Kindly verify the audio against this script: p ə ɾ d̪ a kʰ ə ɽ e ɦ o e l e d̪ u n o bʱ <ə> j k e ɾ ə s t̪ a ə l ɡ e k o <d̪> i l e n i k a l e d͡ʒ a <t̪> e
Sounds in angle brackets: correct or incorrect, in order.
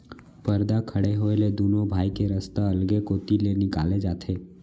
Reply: incorrect, incorrect, incorrect

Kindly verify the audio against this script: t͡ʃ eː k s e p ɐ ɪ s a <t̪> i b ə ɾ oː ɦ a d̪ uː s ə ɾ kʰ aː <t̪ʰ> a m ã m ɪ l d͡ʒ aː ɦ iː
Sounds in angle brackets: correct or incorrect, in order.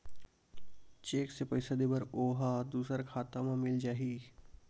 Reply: incorrect, incorrect

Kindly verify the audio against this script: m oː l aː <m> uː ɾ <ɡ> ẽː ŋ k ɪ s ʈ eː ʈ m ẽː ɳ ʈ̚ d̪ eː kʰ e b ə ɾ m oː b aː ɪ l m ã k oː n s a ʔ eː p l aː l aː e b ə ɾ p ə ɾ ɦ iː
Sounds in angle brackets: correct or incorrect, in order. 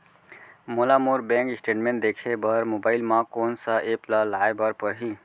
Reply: correct, incorrect

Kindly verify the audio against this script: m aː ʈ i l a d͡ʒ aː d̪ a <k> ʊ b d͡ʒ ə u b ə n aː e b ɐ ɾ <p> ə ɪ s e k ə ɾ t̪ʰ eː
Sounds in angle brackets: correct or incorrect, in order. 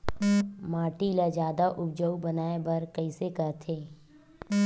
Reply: incorrect, incorrect

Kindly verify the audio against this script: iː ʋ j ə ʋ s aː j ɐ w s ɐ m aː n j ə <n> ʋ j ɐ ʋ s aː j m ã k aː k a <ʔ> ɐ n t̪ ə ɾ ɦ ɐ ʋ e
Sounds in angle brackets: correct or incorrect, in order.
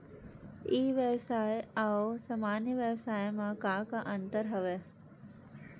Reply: incorrect, correct

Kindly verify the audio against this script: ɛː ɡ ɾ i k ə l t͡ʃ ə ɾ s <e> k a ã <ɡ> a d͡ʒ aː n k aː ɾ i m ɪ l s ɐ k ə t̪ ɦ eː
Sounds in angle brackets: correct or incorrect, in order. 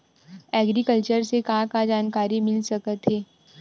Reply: correct, incorrect

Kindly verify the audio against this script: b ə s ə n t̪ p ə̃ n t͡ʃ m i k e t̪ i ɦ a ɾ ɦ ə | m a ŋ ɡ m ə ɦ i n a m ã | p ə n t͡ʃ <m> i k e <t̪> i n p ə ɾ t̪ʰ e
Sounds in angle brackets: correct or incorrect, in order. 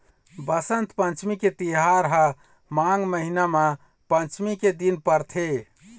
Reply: correct, incorrect

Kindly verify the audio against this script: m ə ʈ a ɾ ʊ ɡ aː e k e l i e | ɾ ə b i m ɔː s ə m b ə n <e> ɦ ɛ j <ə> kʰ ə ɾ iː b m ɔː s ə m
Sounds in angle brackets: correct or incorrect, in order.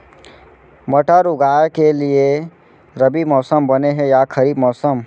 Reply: correct, incorrect

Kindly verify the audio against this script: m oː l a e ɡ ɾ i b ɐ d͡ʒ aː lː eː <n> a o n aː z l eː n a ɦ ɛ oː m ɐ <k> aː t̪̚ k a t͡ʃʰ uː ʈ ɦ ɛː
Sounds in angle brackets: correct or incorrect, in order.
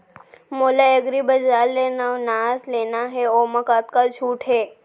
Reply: correct, correct

